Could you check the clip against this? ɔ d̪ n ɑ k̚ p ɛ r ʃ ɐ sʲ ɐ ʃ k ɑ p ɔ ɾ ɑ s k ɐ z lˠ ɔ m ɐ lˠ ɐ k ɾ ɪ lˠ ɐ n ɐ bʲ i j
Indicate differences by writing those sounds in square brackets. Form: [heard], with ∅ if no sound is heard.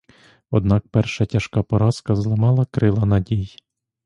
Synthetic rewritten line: ɔ d̪ n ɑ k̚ p ɛ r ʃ ɐ [tʲ] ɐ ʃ k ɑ p ɔ ɾ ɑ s k ɐ z lˠ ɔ m [ɑ] lˠ ɐ k ɾ ɪ lˠ ɐ n ɐ [dʲ] i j

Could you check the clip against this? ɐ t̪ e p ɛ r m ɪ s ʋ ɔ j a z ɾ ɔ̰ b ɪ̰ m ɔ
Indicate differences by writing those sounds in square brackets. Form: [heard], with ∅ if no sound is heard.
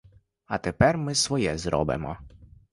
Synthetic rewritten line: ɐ t̪ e p ɛ r m ɪ s ʋ ɔ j [ɛ] z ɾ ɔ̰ b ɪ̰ m ɔ

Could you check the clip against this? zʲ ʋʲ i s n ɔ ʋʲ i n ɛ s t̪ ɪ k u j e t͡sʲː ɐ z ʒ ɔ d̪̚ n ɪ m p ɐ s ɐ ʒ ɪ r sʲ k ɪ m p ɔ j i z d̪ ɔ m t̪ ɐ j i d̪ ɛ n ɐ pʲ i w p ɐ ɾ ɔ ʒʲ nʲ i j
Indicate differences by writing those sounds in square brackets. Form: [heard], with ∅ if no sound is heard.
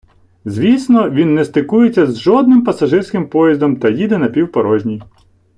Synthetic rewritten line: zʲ ʋʲ i s n ɔ ʋʲ i [nː] ɛ s t̪ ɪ k u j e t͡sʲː ɐ z ʒ ɔ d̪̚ n ɪ m p ɐ s ɐ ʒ ɪ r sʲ k ɪ m p ɔ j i z d̪ ɔ m t̪ ɐ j i d̪ ɛ n ɐ pʲ i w p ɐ ɾ ɔ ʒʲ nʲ i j

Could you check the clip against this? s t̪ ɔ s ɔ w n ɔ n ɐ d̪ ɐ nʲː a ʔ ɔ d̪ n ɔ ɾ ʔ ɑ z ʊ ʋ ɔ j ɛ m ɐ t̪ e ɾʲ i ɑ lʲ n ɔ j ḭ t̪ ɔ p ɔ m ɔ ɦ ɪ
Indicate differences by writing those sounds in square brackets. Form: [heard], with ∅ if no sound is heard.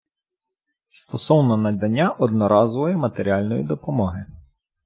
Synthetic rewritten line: s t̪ ɔ s ɔ w n ɔ n ɐ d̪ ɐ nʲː a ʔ ɔ d̪ n ɔ ɾ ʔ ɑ z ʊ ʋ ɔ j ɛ m ɐ t̪ e ɾʲ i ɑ lʲ n ɔ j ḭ [d̪] ɔ p ɔ m ɔ ɦ ɪ

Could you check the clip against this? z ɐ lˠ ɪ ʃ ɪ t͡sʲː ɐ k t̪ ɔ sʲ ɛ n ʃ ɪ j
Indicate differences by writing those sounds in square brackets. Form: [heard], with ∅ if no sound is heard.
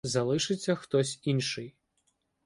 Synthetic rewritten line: z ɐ lˠ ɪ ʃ ɪ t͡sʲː ɐ [x] t̪ ɔ sʲ [i] n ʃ ɪ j

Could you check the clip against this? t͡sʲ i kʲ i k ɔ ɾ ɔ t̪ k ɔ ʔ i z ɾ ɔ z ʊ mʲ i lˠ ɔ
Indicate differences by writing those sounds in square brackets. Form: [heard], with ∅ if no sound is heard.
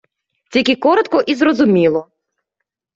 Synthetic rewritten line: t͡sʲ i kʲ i k ɔ ɾ ɔ t̪ k ɔ ʔ i z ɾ ɔ z ʊ mʲ i lˠ ɔ

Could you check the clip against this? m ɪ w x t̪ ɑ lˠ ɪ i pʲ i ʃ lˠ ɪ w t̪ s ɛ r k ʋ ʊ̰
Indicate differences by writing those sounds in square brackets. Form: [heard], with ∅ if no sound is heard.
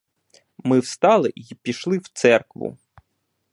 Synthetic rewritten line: m ɪ w [s] t̪ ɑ lˠ ɪ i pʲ i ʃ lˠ ɪ w t̪ s ɛ r k ʋ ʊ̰

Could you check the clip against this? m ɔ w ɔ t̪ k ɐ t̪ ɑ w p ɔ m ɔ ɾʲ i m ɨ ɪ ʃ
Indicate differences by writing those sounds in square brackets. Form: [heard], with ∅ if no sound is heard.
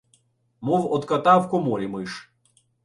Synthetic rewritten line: m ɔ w ɔ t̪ k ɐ t̪ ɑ w [k] ɔ m ɔ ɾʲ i m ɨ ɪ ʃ

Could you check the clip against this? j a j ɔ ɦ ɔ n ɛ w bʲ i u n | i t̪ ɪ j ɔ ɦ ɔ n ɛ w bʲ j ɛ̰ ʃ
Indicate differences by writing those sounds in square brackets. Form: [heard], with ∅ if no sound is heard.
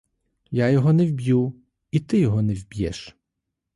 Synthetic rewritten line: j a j ɔ ɦ ɔ n ɛ w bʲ [j] u [∅] | i t̪ ɪ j ɔ ɦ ɔ n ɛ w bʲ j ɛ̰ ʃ

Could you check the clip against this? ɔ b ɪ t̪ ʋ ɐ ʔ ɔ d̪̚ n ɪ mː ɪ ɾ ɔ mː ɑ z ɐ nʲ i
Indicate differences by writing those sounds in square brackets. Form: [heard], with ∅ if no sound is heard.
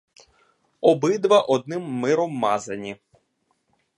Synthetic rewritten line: ɔ b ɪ [d̪] ʋ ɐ ʔ ɔ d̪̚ n ɪ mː ɪ ɾ ɔ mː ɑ z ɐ nʲ i

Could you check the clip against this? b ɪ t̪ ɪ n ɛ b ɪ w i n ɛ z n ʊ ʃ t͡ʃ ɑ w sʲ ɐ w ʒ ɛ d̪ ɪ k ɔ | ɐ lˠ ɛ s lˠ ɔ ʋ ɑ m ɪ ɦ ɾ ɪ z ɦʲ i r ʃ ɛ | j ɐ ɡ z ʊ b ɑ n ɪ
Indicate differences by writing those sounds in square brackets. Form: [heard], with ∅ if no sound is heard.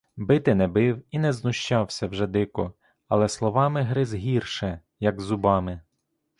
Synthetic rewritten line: b ɪ t̪ ɪ n ɛ b ɪ w i n ɛ z n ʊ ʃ t͡ʃ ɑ w sʲ ɐ w ʒ ɛ d̪ ɪ k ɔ | ɐ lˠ ɛ s lˠ ɔ ʋ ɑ m ɪ ɦ ɾ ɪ z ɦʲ i r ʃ ɛ | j ɐ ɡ z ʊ b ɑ [m] ɪ

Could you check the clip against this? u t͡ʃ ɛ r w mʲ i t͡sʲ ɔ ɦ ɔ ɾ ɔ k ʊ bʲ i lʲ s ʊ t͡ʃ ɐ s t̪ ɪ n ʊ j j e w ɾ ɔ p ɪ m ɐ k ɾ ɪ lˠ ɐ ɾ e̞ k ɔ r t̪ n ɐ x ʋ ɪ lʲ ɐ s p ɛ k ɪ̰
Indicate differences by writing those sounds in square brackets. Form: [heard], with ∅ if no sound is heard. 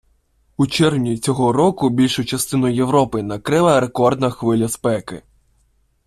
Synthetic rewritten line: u t͡ʃ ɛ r w [nʲ] i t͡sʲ ɔ ɦ ɔ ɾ ɔ k ʊ bʲ i lʲ [ʃ] ʊ t͡ʃ ɐ s t̪ ɪ n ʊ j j e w ɾ ɔ p ɪ [n] ɐ k ɾ ɪ lˠ ɐ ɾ e̞ k ɔ r [d̪] n ɐ x ʋ ɪ lʲ ɐ s p ɛ k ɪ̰

